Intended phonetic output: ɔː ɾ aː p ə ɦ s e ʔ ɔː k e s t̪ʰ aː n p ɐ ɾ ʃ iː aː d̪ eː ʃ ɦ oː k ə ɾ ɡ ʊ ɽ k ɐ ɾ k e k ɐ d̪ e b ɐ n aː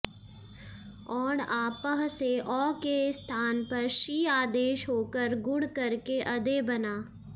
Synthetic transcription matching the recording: ɔː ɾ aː p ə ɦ s e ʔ ɔː k e s t̪ʰ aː n p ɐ ɾ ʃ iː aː d̪ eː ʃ ɦ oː k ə ɾ ɡ ʊ ɽ k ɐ ɾ k e ʔ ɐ d̪ e b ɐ n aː

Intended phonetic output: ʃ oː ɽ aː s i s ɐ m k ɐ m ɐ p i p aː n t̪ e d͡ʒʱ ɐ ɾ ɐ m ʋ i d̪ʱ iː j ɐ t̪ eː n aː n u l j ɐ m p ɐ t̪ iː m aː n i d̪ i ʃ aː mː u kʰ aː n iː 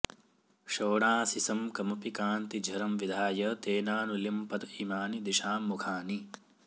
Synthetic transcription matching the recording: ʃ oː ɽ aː s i s ɐ m k ɐ m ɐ p i k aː n t̪ i d͡ʒʱ ɐ ɾ ɐ m ʋ i d̪ʱ aː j ɐ t̪ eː n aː n u l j ɐ m p ɐ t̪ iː m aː n i d̪ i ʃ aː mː u kʰ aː n i

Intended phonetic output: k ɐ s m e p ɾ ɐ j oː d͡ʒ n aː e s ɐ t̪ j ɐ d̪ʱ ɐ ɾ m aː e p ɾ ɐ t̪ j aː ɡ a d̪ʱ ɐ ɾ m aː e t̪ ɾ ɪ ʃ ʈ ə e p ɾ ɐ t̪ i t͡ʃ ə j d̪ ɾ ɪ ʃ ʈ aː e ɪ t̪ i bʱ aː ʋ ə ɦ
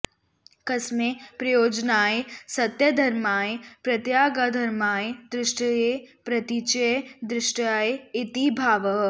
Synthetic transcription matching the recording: k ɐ s m e p ɾ ɐ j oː d͡ʒ n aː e s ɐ t̪ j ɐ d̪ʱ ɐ ɾ m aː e p ɾ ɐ t̪ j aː ɡ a d̪ʱ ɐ ɾ m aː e d̪ ɾ ɪ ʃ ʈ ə e p ɾ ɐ t̪ i t͡ʃ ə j d̪ ɾ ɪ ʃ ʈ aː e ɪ t̪ i bʱ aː ʋ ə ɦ

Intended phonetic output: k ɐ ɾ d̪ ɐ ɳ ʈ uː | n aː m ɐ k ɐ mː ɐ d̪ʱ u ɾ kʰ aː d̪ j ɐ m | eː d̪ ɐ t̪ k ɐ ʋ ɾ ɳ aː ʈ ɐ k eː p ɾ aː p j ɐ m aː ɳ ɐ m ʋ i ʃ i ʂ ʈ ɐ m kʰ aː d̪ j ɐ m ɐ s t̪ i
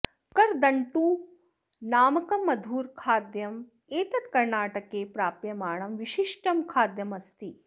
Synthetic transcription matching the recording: k ɐ ɾ d̪ ɐ ɳ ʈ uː | n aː m ɐ k ɐ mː ɐ d̪ʱ uː ɾ kʰ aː d̪ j ɐ m | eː t̪ ɐ t̪ k ɐ ɾ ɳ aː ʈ ɐ k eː p ɾ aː p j ɐ m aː ɳ ɐ m ʋ i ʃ i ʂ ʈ ɐ m kʰ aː d̪ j ɐ m ɐ s t̪ i

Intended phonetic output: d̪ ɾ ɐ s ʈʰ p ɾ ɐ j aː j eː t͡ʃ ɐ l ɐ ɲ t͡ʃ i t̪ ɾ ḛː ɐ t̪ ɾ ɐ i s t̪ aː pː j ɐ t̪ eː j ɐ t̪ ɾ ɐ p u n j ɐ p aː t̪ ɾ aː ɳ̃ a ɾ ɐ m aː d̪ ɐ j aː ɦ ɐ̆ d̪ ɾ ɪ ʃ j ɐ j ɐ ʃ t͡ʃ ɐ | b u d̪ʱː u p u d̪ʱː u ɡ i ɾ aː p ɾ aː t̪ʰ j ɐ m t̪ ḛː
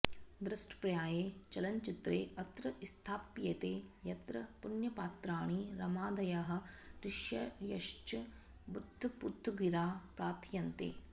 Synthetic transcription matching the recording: d̪ ɾ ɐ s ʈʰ p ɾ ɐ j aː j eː t͡ʃ ɐ l ɐ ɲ t͡ʃ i t̪ ɾ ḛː ɐ t̪ ɾ ɐ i s t̪ʰ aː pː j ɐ t̪ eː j ɐ t̪ ɾ ɐ p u n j ɐ p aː t̪ ɾ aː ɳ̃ i ɾ ɐ m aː d̪ ɐ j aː ɦ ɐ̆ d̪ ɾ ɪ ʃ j ɐ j ɐ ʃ t͡ʃ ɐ | b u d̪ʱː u p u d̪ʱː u ɡ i ɾ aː p ɾ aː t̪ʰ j ɐ n t̪ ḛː

